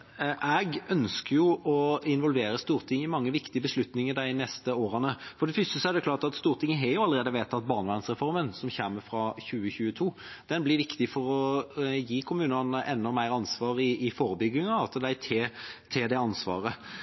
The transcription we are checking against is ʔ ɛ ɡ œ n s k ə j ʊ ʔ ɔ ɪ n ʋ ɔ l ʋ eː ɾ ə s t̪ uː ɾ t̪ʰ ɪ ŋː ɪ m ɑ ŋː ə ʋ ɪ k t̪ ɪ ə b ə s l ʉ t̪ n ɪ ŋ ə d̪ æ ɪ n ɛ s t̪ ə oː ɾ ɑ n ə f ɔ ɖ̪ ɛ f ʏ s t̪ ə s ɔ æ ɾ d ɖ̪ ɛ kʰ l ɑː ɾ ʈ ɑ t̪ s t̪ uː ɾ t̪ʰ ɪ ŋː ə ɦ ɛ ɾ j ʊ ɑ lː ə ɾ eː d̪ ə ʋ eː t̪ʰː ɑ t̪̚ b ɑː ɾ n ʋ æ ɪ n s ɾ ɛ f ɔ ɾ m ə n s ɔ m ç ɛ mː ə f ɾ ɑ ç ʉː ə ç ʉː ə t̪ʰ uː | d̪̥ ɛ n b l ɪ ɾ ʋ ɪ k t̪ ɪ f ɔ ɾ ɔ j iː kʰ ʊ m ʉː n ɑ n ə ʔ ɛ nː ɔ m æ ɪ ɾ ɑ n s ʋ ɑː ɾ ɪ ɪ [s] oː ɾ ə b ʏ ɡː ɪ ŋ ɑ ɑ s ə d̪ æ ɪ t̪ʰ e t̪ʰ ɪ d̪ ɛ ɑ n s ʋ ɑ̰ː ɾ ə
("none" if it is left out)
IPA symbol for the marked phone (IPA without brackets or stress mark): f